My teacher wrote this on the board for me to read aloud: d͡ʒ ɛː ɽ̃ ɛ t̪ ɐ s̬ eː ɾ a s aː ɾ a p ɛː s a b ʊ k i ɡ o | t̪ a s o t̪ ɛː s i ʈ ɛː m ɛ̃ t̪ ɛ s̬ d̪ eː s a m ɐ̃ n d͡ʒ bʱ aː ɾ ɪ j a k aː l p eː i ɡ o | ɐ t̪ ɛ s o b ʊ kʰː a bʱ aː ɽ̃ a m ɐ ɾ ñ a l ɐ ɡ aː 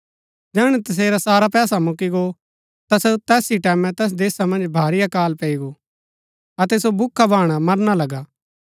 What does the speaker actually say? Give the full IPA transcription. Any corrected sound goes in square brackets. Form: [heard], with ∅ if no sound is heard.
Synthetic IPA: d͡ʒ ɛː ɽ̃ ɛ t̪ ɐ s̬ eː ɾ a s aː ɾ a p ɛː s a [m] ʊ k i ɡ o | t̪ a s o t̪ ɛː s i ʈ ɛː m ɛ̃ t̪ ɛ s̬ d̪ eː s a m ɐ̃ n d͡ʒ bʱ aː ɾ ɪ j a k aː l p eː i ɡ o | ɐ t̪ ɛ s o b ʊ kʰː a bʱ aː ɽ̃ a m ɐ ɾ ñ a l ɐ ɡ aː